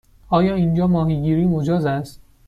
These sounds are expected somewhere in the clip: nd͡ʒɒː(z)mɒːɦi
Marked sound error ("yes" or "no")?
yes